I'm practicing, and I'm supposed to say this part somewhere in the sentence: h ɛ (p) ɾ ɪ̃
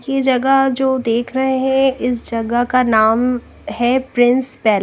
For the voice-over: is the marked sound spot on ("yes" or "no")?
yes